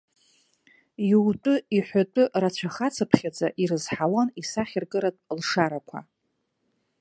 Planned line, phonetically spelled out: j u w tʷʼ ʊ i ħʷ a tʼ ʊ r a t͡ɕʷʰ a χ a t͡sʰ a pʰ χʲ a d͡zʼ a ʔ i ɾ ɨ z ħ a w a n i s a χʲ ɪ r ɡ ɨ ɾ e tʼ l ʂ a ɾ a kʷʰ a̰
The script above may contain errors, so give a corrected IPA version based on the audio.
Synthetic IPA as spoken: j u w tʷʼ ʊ i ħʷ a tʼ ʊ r a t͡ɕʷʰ a χ a t͡sʰ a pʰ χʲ a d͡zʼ a ʔ i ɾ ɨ z ħ a w a n i s a χʲ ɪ r ɡ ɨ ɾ a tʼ l ʂ a ɾ a kʷʰ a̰